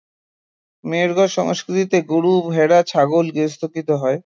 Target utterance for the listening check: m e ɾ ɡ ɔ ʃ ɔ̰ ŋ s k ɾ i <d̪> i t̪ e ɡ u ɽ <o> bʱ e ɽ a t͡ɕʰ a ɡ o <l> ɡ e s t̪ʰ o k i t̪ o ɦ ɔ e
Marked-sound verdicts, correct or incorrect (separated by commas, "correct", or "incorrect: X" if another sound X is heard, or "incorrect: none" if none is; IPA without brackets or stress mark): incorrect: t̪, incorrect: u, correct